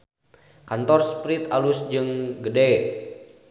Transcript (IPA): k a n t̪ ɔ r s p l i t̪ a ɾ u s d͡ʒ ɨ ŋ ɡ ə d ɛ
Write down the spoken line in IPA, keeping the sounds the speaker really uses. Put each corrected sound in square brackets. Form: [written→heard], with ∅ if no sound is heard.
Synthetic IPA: k a n t̪ ɔ r s p [l→ɾ] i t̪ a [ɾ→l] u s d͡ʒ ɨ ŋ ɡ ə d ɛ

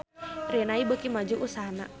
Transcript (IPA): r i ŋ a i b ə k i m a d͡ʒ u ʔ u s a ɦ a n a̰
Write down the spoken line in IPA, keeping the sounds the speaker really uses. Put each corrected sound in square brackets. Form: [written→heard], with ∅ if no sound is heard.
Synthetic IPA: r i [ŋ→n] a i b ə k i m a d͡ʒ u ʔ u s a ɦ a n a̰

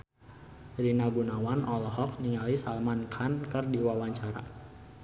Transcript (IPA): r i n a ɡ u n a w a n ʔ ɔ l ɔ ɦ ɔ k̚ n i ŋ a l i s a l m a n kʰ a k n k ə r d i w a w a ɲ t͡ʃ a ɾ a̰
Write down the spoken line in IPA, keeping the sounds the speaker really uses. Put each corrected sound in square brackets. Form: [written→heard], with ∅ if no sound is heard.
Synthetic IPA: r i n a ɡ u n a w a n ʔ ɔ l ɔ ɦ ɔ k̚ n i ŋ a l i s a l m a n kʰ a [k→∅] n k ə r d i w a w a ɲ t͡ʃ a ɾ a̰

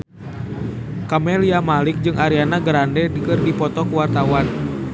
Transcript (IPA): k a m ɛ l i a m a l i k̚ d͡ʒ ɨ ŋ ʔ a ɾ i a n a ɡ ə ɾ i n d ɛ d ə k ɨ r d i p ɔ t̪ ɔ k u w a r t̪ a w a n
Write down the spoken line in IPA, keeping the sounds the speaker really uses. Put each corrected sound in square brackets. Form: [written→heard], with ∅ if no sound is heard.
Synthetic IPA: k a m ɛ l i a m a l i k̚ d͡ʒ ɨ ŋ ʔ a ɾ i a n a ɡ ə ɾ [i→a] n d ɛ d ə k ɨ r d i p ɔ t̪ ɔ k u w a r t̪ a w a n

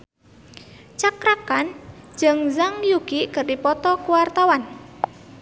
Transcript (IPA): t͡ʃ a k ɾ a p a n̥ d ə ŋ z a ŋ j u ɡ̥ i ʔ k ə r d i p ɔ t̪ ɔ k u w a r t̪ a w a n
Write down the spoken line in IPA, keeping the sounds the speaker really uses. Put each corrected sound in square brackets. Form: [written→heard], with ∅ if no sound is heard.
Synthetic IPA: t͡ʃ a k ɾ a [p→k] a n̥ [d→d͡ʒ] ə ŋ z a ŋ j u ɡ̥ i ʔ k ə r d i p ɔ t̪ ɔ k u w a r t̪ a w a n

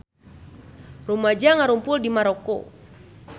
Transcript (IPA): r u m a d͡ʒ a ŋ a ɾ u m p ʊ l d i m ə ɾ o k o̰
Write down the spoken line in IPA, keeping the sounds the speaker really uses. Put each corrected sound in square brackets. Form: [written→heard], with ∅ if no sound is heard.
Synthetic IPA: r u m a d͡ʒ a ŋ a ɾ u m p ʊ l d i m [ə→a] ɾ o k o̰

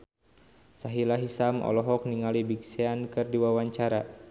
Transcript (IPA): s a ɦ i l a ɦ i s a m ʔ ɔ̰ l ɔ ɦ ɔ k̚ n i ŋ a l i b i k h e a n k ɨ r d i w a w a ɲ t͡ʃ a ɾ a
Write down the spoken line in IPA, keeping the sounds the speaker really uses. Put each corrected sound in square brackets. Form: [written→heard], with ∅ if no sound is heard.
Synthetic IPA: s a ɦ i l a ɦ i s a m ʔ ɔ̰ l ɔ ɦ ɔ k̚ n i ŋ a l i b i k [h→s] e a n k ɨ r d i w a w a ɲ t͡ʃ a ɾ a

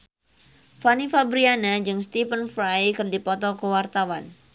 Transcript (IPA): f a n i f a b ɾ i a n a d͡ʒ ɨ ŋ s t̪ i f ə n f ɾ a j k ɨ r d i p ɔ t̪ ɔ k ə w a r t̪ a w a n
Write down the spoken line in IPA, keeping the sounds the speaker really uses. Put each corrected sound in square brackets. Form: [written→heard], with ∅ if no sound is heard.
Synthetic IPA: f a n i f a b ɾ i a n a d͡ʒ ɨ ŋ s t̪ i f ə n f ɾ a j k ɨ r d i p ɔ t̪ ɔ k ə w a r t̪ a w a n

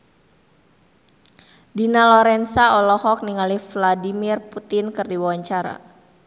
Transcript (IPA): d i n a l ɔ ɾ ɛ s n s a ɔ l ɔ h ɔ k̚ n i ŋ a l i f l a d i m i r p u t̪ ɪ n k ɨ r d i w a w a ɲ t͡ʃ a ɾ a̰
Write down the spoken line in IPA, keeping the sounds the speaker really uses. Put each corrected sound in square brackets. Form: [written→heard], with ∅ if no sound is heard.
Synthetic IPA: d i n a l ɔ ɾ ɛ [s→∅] n s a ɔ l ɔ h ɔ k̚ n i ŋ a l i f l a d i m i r p u t̪ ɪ n k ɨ r d i w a w a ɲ t͡ʃ a ɾ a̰

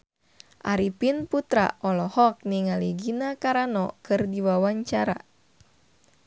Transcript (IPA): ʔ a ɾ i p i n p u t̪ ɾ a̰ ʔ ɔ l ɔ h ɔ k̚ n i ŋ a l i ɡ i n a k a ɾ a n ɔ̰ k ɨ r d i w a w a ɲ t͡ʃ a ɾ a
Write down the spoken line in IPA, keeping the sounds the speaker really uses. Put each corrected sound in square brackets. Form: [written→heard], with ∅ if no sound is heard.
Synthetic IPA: ʔ a ɾ i p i n p u t̪ ɾ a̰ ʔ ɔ l ɔ h ɔ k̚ n i ŋ a l i ɡ i n a k a ɾ a n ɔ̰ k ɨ r d i w a w a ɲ t͡ʃ a ɾ a

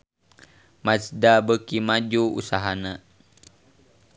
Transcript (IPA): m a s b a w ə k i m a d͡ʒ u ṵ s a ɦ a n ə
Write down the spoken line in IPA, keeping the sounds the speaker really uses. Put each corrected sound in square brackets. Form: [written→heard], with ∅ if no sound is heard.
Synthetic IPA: m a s [b→d] a [w→b] ə k i m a d͡ʒ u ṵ s a ɦ a n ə

